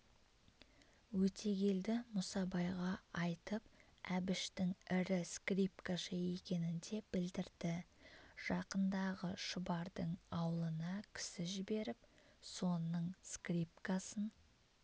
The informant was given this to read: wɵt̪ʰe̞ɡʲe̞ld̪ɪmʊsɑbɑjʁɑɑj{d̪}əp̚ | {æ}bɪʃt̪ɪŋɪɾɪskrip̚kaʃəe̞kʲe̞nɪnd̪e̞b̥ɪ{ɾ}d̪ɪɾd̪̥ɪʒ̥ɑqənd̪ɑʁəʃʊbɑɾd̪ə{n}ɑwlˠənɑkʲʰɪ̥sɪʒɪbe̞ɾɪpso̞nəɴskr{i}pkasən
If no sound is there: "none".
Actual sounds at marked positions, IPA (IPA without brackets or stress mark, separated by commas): t̪, æ, l, ɴ, i